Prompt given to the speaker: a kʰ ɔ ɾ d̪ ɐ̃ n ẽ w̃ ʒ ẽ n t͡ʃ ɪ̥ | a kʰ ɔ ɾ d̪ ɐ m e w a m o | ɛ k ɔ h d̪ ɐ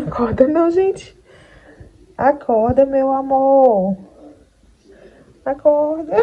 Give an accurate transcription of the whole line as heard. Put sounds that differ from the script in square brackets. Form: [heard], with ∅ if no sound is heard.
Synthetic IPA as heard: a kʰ ɔ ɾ d̪ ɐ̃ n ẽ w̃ ʒ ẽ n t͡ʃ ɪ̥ | a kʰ ɔ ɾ d̪ ɐ m e w a m o | [a] k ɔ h d̪ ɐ